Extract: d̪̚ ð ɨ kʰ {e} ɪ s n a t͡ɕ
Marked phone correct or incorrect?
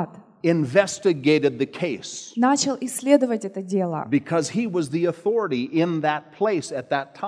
correct